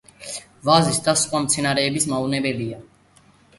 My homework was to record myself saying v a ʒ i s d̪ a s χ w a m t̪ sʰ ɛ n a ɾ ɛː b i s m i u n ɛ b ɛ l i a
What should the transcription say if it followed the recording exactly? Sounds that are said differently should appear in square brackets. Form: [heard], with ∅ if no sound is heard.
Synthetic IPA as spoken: v a [z] i s d̪ a s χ w a m t̪ sʰ ɛ n a ɾ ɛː b i s m [a] u n ɛ b ɛ l i a